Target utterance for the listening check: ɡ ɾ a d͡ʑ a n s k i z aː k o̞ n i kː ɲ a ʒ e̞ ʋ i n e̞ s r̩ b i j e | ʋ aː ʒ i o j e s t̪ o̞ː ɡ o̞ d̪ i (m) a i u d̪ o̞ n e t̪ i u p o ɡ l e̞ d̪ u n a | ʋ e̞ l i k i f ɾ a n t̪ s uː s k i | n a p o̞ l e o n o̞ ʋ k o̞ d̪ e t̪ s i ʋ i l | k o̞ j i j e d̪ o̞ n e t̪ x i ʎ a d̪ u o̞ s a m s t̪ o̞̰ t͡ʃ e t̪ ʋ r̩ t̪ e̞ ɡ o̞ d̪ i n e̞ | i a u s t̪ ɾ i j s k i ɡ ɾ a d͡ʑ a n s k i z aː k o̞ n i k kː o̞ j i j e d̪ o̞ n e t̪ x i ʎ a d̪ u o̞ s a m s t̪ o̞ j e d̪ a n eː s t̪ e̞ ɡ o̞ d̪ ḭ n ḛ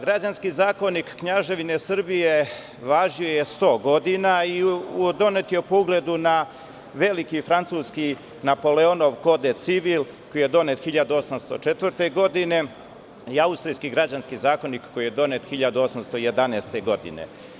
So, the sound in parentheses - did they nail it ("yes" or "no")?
no